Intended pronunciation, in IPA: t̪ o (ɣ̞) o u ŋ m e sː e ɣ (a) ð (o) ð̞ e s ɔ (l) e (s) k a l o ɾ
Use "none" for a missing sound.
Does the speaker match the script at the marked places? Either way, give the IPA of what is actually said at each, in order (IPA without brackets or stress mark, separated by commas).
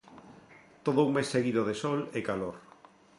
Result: ð̞, i, o, l, none